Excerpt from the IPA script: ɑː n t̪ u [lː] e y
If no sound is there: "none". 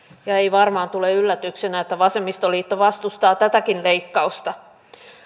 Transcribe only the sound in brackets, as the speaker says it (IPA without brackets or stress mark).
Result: l